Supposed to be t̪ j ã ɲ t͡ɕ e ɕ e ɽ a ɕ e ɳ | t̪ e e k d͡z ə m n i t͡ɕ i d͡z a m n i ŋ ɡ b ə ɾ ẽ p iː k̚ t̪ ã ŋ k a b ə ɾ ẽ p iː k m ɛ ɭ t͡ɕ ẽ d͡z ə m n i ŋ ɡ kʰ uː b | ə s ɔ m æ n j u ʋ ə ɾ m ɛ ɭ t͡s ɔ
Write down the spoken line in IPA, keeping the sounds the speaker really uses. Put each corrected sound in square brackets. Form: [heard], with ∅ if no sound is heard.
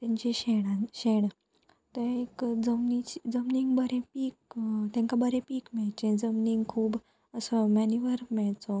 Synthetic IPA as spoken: t̪ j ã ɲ t͡ɕ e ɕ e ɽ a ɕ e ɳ | t̪ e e k d͡z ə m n i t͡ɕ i d͡z [ə] m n i ŋ ɡ b ə ɾ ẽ p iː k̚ t̪ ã ŋ k a b ə ɾ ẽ p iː k m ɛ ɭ t͡ɕ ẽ d͡z ə m n i ŋ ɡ kʰ uː b | ə s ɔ m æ n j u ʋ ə ɾ m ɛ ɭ t͡s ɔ

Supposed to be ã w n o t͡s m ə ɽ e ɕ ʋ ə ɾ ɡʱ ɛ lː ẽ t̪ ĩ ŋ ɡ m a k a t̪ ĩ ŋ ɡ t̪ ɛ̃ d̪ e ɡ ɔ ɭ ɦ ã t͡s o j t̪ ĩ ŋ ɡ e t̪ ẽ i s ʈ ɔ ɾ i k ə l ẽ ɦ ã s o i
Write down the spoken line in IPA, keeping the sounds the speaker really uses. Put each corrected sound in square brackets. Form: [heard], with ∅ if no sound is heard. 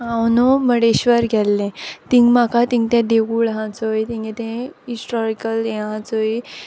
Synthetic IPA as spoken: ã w n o [∅] m ə ɽ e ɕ ʋ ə ɾ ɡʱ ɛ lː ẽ t̪ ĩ ŋ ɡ m a k a t̪ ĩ ŋ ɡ t̪ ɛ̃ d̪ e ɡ [u] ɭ ɦ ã t͡s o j t̪ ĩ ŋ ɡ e t̪ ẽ i s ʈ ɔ ɾ i k ə l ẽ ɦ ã [t͡s] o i

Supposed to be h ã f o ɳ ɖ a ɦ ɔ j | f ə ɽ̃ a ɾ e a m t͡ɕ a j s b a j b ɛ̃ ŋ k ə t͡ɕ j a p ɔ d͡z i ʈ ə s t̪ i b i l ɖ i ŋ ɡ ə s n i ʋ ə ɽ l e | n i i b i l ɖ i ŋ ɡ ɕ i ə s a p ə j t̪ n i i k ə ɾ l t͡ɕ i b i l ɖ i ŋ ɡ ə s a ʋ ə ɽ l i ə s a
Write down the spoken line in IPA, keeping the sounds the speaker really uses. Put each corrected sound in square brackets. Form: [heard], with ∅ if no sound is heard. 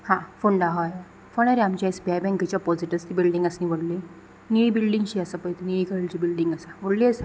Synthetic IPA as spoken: h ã f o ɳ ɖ a ɦ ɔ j | f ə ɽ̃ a ɾ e a m t͡ɕ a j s b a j b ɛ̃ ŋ k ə t͡ɕ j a p ɔ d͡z i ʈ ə s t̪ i b i l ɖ i ŋ ɡ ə s n i ʋ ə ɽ l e | n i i b i l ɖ i ŋ ɡ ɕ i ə s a p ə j t̪ n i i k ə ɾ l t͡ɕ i b i l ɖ i ŋ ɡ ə s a ʋ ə ɽ l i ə s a

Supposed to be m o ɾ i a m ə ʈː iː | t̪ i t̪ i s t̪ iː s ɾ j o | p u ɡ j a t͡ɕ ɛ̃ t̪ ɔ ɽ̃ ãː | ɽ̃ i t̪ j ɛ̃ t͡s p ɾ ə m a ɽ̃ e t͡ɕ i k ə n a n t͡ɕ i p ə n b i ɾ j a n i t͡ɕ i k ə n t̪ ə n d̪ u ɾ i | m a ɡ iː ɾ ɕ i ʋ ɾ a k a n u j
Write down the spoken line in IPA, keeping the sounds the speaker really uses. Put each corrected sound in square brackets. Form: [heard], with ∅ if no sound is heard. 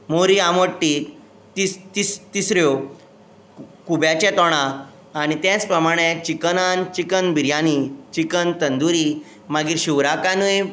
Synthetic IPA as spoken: m o ɾ i a m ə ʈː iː | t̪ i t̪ i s t̪ [i] s ɾ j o | [k] u [b] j a t͡ɕ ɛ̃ t̪ ɔ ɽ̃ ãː | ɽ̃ i t̪ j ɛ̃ t͡s p ɾ ə m a ɽ̃ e t͡ɕ i k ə n a n t͡ɕ i [k] ə n b i ɾ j a n i t͡ɕ i k ə n t̪ ə n d̪ u ɾ i | m a ɡ iː ɾ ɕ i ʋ ɾ a k a n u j

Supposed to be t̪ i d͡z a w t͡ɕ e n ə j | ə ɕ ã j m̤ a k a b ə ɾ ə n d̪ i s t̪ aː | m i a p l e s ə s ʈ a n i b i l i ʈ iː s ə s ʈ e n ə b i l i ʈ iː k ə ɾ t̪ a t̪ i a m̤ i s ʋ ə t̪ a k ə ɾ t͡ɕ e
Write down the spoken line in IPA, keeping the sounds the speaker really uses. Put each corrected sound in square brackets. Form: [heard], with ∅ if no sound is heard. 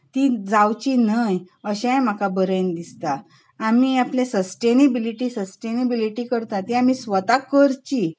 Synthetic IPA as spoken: t̪ i d͡z a w t͡ɕ [i] n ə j | ə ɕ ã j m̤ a k a b ə ɾ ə n d̪ i s t̪ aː | m i a p l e s ə s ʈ [e] n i b i l i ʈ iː s ə s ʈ e n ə b i l i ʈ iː k ə ɾ t̪ a t̪ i a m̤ i s ʋ ə t̪ a k ə ɾ t͡ɕ [i]

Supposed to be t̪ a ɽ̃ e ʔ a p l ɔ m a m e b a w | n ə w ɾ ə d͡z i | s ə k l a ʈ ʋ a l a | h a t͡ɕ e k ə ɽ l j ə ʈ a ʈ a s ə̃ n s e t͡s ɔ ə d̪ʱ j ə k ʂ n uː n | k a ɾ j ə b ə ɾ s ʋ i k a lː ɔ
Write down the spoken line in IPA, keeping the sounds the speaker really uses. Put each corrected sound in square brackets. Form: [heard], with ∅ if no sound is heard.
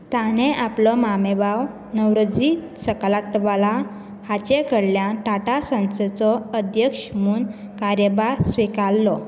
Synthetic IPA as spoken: t̪ a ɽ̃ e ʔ a p l ɔ m a m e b a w | n ə w ɾ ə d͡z i | s ə k l a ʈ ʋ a l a | h a t͡ɕ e k ə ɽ l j [a] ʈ a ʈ a s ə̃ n s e t͡s ɔ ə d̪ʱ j ə k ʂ [m] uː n | k a ɾ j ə b [a] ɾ s ʋ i k a lː ɔ

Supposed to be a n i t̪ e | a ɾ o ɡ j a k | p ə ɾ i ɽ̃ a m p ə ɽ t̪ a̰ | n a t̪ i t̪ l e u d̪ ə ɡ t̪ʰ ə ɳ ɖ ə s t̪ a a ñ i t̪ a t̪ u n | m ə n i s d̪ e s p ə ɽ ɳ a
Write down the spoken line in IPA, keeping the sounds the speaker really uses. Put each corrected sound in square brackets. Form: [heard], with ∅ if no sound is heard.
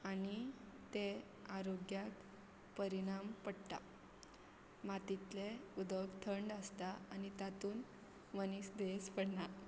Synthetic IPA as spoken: a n i t̪ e | a ɾ o ɡ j a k | p ə ɾ i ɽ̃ a m p ə ɽ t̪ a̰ | [m] a t̪ i t̪ l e u d̪ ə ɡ t̪ʰ ə ɳ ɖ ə s t̪ a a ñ i t̪ a t̪ [uː] n | m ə n i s d̪ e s p ə ɽ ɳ a

